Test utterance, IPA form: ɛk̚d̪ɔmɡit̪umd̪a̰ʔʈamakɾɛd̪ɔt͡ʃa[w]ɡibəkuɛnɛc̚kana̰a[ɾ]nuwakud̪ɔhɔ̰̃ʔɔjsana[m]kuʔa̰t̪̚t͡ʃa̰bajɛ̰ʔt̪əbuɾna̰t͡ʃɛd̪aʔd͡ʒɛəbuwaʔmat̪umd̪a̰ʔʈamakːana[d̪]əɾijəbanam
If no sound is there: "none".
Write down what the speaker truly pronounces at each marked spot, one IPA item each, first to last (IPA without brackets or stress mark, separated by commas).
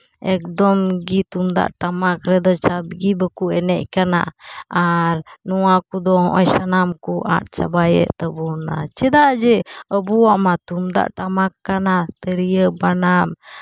b, ɾ, m, t̪